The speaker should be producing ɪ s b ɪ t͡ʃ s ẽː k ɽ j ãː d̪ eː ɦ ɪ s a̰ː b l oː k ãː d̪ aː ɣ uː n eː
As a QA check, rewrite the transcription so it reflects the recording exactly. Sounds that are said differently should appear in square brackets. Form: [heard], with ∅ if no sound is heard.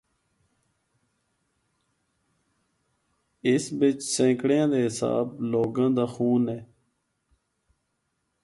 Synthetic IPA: ɪ s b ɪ t͡ʃ s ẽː k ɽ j ãː d̪ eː ɦ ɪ s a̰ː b l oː [ɡ] ãː d̪ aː [x] uː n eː